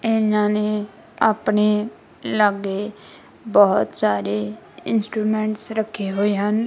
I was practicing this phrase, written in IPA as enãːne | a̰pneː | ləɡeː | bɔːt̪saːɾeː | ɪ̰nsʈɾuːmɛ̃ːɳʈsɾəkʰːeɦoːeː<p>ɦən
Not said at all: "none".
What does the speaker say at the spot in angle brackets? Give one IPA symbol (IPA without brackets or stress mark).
none